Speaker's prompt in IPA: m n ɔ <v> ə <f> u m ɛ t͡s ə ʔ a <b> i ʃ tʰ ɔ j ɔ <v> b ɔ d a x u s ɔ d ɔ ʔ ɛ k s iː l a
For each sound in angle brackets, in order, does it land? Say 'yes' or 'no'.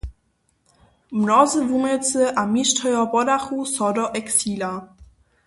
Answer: no, no, no, no

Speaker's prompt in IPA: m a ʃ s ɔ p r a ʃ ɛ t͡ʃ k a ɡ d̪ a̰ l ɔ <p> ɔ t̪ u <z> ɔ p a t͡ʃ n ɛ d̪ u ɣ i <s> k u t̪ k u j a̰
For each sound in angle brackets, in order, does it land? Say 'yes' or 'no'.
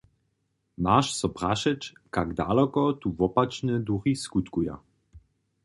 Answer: no, no, yes

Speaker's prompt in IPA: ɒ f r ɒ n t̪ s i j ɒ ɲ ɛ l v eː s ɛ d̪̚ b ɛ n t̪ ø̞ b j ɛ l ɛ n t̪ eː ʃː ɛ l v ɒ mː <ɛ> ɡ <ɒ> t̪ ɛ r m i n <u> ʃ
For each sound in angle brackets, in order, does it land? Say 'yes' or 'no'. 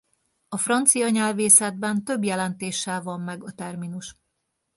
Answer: yes, yes, yes

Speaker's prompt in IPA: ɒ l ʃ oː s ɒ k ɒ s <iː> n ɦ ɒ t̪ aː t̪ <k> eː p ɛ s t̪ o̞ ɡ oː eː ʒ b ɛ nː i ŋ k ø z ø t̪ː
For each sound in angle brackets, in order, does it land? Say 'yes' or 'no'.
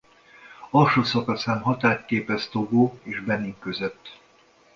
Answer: no, yes

